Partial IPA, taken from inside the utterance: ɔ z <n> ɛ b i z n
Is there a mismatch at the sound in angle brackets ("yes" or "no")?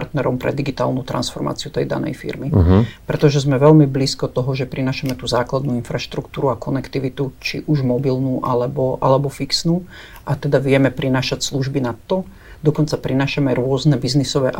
no